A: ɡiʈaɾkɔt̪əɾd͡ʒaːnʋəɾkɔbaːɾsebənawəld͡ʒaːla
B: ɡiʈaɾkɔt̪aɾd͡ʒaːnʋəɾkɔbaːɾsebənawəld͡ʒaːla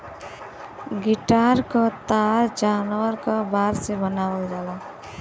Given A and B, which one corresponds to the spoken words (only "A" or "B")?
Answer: B